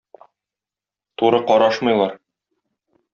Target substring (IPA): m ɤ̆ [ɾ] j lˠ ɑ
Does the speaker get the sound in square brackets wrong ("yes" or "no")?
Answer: yes